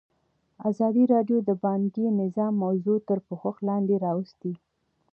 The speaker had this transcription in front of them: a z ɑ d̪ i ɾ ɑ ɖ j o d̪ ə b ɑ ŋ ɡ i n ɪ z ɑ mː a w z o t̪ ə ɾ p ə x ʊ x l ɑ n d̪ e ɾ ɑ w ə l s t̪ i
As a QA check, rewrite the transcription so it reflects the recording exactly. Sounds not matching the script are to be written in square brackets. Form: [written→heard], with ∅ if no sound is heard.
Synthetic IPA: a z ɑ d̪ i ɾ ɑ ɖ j o d̪ ə b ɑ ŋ ɡ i n ɪ z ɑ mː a w z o t̪ ə ɾ p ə x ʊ x l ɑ n d̪ e ɾ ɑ w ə [l→∅] s t̪ i